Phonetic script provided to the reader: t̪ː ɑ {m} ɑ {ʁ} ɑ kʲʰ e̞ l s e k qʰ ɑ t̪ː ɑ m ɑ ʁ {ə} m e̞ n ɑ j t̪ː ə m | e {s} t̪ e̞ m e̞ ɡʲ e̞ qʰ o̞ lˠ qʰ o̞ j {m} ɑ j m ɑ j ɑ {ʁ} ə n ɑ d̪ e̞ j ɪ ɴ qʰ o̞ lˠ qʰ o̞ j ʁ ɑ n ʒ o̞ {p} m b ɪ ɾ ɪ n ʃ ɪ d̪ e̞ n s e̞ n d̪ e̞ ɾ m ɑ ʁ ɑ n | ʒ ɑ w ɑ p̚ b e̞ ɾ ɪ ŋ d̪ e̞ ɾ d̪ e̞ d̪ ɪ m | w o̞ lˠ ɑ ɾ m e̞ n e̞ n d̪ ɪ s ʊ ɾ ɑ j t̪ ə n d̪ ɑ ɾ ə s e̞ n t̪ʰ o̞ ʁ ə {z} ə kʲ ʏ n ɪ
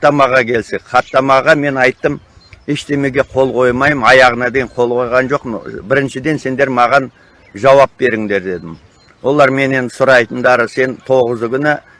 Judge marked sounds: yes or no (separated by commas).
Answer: yes, yes, no, no, yes, yes, no, yes